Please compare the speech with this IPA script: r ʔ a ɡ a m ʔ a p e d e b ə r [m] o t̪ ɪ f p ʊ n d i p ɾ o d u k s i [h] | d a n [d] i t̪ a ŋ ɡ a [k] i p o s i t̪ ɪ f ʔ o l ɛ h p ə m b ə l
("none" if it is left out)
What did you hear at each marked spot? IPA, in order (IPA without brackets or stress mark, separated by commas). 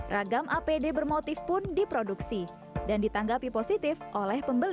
m, none, d, p